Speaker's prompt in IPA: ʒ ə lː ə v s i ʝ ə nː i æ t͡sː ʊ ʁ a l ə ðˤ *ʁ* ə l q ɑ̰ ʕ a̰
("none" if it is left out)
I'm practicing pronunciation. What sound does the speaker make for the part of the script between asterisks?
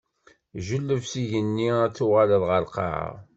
ʁ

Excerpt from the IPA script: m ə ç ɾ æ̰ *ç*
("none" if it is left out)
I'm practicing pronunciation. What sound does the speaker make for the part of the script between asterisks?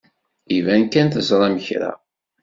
none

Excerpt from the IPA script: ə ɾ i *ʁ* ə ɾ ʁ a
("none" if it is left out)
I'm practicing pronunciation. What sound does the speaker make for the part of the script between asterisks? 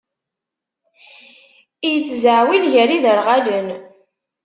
ð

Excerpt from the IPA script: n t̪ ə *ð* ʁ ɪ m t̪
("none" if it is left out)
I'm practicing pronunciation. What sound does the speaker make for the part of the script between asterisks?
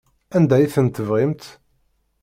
v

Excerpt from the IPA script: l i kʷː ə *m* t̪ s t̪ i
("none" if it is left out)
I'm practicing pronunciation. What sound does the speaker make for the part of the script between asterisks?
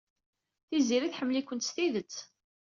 n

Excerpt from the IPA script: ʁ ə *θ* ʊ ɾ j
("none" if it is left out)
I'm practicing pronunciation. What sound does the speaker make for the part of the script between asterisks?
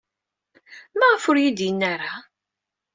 f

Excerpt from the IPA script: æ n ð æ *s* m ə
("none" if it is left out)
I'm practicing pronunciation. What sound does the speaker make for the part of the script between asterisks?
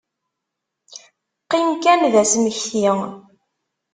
s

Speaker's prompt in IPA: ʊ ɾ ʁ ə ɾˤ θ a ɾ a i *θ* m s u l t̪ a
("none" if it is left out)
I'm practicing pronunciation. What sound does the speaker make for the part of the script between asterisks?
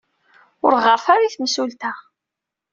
θ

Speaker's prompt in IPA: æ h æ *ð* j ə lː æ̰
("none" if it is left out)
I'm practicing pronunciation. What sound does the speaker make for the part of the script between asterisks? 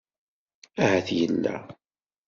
θ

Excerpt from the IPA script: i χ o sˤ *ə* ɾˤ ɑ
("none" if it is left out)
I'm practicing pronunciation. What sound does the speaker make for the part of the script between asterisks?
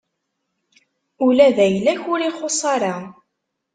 ɑ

